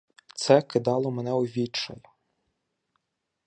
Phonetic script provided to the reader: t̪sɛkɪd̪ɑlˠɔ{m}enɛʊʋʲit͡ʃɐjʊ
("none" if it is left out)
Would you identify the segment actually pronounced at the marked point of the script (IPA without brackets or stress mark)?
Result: m